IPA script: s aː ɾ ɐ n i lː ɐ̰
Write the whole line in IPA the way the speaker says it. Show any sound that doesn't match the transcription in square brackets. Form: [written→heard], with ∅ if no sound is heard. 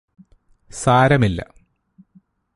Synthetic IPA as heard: s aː ɾ ɐ [n→m] i lː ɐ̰